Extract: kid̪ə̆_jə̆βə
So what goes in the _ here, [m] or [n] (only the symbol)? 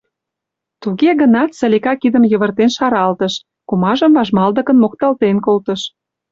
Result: m